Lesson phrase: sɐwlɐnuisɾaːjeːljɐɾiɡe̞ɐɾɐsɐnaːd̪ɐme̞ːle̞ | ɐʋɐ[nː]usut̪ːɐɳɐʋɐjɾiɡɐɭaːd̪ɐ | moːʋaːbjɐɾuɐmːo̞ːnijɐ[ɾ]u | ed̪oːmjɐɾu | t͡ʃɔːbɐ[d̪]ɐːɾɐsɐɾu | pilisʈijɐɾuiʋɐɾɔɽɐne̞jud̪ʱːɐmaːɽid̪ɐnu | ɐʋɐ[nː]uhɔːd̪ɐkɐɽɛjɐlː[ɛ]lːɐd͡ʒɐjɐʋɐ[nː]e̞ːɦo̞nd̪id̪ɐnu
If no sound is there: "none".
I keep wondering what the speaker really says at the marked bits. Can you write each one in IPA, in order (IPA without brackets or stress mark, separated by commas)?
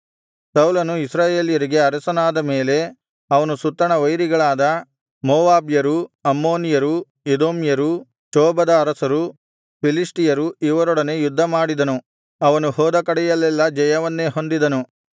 n, ɾ, d̪, n, ɛ, nː